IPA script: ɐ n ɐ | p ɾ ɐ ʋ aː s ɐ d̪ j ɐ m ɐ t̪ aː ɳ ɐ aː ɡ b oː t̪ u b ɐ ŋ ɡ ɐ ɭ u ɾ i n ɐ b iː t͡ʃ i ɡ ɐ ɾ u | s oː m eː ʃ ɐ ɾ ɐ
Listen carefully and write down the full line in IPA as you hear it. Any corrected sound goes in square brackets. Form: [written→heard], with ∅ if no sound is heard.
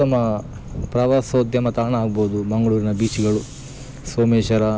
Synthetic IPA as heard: ɐ [n→m] ɐ | p ɾ ɐ ʋ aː s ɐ d̪ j ɐ m ɐ t̪ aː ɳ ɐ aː ɡ b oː [t̪→d̪] u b ɐ ŋ ɡ ɐ ɭ [u→uː] ɾ i n ɐ b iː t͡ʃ i ɡ ɐ [ɾ→ɭ] u | s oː m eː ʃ ɐ ɾ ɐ